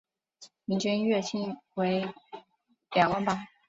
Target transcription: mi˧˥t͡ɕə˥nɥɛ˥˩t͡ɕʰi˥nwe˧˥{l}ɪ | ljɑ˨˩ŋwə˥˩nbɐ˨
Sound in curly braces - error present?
yes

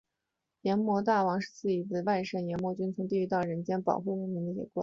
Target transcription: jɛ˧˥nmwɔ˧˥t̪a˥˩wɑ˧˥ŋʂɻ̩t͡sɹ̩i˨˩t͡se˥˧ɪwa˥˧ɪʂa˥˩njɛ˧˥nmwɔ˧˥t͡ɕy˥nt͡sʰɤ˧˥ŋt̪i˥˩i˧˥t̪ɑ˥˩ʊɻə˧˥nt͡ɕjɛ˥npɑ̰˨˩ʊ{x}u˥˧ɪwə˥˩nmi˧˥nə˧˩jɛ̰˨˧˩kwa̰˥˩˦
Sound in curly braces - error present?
no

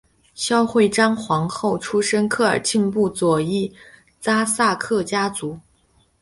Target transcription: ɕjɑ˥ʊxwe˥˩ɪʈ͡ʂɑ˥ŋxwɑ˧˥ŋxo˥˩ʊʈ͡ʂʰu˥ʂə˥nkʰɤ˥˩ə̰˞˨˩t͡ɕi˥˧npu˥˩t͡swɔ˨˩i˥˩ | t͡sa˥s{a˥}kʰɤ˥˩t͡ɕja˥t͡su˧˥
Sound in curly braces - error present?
yes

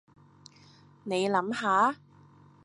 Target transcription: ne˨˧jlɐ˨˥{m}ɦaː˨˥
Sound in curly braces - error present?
no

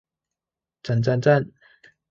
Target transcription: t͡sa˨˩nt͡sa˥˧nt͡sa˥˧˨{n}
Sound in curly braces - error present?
no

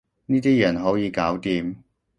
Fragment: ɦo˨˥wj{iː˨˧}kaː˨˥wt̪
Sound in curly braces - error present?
no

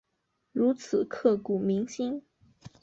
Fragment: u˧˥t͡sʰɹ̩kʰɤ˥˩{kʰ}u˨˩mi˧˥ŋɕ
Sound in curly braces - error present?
yes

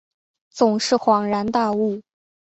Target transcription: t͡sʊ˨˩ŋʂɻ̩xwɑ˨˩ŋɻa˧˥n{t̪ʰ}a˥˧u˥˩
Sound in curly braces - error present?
yes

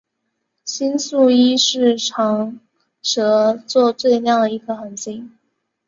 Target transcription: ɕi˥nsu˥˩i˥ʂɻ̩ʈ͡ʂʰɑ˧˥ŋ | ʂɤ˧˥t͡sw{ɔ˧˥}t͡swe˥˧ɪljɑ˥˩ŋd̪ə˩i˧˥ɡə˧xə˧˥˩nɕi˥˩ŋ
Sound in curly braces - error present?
yes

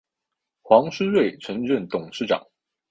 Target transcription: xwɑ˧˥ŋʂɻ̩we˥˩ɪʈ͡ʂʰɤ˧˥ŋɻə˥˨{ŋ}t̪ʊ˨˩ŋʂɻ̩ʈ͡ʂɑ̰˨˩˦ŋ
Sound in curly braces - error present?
yes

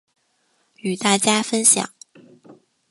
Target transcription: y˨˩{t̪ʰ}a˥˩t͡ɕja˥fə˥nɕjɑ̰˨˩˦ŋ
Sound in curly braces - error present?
yes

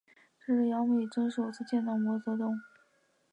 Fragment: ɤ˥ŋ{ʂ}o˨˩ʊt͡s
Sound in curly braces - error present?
no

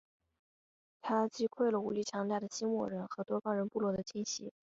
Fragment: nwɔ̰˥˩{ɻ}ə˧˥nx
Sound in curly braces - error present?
no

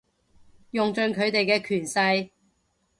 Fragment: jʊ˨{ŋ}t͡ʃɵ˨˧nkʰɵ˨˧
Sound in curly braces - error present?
no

